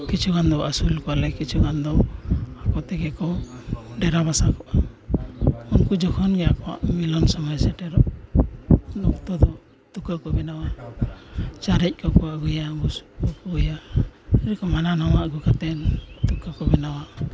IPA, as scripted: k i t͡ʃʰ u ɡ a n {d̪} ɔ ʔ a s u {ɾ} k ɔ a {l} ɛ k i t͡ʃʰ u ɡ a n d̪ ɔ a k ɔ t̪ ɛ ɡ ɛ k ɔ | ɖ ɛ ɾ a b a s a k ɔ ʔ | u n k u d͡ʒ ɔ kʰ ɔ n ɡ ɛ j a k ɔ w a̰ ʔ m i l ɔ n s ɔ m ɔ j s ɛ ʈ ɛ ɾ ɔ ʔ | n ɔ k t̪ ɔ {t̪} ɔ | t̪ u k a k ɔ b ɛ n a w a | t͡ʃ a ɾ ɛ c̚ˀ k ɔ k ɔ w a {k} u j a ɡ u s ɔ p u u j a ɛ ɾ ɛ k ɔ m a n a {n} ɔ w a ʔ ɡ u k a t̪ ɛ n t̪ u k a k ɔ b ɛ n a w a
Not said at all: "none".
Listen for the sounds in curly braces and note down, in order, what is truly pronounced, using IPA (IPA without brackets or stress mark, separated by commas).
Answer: d̪, l, l, d̪, ɡ, n